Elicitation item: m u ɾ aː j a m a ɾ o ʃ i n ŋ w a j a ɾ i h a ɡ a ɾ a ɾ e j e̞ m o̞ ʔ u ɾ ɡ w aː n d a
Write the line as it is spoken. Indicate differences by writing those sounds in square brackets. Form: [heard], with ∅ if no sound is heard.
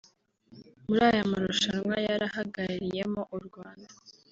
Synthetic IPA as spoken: m u ɾ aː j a m a ɾ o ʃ [a] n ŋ w a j a ɾ [a] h a ɡ a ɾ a ɾ [i] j e̞ m o̞ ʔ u ɾ ɡ w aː n d a